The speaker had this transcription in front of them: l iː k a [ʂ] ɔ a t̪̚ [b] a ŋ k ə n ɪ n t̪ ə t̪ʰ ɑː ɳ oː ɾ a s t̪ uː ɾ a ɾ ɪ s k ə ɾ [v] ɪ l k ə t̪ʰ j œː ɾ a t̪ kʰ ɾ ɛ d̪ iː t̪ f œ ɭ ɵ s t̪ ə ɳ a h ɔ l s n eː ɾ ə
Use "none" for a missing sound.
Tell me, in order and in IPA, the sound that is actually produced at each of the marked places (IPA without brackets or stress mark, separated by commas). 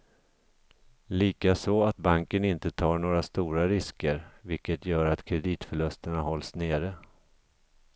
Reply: s, b, v